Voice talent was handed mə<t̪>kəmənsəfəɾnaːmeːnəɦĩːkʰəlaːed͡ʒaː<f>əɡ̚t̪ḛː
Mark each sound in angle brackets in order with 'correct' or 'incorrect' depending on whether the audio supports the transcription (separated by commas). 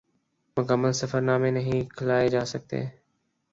incorrect, incorrect